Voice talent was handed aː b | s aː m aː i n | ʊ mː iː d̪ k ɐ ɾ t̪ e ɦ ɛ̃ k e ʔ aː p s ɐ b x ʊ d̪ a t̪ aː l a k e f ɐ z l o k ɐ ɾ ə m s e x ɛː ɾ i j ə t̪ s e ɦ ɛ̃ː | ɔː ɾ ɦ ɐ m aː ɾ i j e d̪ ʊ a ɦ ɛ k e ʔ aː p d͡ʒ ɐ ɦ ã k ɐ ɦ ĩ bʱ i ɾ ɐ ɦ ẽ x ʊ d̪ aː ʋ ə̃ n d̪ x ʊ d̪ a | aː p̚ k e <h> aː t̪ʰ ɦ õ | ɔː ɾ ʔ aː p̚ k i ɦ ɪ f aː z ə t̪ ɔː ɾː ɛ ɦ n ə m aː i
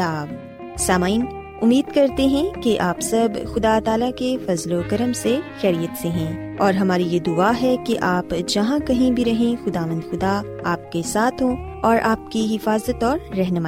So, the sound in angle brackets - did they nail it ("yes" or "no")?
no